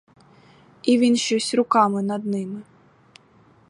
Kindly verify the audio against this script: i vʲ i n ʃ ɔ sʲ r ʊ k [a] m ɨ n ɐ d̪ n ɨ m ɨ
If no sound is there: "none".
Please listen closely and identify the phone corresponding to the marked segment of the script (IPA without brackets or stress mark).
a